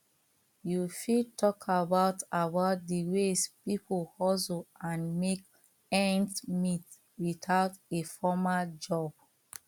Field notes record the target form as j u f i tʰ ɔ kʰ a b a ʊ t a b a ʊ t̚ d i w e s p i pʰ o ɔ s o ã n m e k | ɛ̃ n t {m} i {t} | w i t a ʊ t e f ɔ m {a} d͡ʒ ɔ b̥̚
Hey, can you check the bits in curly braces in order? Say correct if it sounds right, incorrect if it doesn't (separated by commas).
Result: correct, correct, correct